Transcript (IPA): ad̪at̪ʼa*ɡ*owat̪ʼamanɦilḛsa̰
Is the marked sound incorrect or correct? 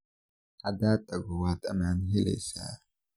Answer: correct